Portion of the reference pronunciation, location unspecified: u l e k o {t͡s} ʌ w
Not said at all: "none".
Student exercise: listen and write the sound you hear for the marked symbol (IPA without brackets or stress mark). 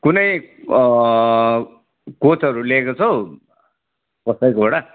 t͡sʰ